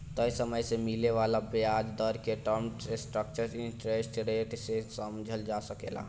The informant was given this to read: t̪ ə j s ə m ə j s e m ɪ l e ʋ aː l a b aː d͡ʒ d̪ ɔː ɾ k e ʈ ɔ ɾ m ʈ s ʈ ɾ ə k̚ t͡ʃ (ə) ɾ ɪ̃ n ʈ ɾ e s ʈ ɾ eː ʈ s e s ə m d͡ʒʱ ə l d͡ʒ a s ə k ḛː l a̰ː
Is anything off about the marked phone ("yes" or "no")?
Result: no